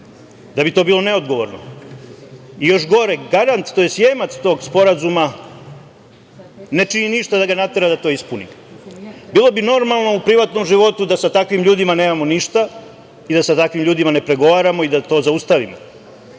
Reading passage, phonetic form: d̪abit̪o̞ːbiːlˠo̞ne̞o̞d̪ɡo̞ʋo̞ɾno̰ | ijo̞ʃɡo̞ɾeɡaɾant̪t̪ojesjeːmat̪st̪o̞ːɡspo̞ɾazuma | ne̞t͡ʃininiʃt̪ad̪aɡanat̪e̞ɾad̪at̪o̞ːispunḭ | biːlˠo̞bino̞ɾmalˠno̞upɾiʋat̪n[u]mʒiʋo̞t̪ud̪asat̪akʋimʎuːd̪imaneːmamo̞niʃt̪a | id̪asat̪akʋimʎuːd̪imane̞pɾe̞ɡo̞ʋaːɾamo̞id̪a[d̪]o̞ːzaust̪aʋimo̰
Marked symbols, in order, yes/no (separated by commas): no, no